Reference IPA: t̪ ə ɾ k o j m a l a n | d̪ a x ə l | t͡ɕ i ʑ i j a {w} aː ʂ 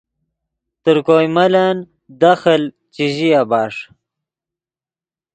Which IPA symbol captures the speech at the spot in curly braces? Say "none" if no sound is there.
b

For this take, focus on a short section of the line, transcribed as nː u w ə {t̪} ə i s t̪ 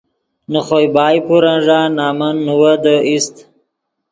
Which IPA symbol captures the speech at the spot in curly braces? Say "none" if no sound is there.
d̪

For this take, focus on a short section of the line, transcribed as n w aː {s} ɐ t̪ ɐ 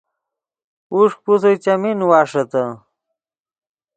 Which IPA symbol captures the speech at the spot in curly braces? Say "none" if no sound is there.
ʂ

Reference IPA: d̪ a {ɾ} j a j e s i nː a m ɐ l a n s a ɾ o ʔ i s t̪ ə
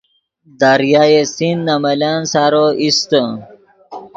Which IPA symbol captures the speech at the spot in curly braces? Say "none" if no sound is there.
ɾ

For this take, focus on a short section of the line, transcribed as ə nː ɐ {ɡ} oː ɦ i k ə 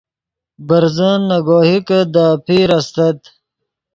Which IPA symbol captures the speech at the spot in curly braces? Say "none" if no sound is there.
ɡ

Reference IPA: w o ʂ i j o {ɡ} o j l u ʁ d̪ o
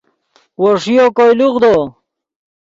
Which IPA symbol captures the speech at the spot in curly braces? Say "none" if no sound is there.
k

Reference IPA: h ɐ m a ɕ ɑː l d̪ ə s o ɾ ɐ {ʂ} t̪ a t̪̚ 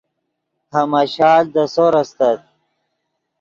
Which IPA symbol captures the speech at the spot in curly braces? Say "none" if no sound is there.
s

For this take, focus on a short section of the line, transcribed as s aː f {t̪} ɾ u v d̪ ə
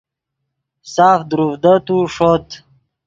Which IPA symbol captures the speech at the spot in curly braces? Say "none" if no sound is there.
d̪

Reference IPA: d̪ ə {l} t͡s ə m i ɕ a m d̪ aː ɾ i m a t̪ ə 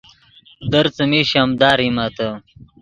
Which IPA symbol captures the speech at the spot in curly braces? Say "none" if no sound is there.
ɾ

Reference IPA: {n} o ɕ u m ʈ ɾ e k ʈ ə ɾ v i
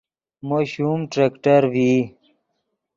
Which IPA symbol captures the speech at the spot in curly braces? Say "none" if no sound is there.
m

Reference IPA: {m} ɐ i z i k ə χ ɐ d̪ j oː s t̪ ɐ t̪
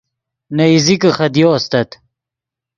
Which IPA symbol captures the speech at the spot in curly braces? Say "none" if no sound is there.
n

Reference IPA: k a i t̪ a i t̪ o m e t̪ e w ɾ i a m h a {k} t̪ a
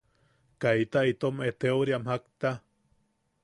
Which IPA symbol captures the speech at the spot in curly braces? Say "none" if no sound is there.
k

